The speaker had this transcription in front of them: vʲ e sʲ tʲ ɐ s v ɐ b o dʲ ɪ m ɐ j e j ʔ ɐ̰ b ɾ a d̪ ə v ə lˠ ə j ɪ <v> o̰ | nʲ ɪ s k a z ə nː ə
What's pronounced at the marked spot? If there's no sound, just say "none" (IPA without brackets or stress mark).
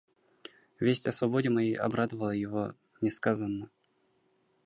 v